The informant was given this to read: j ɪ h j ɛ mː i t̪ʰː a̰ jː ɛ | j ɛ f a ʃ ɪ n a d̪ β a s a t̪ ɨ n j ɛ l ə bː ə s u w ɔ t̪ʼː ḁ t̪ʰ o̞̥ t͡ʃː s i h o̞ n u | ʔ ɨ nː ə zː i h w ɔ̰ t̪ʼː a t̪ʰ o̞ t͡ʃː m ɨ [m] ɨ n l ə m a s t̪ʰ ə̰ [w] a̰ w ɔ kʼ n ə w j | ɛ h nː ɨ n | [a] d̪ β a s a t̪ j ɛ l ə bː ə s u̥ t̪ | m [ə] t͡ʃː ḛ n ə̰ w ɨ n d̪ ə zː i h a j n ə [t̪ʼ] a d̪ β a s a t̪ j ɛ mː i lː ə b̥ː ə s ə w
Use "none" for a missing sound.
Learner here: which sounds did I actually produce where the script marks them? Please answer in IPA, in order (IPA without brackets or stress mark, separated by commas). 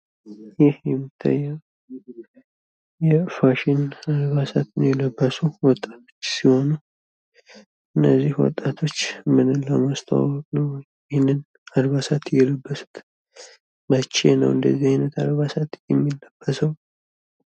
n, w, a, ə, t̪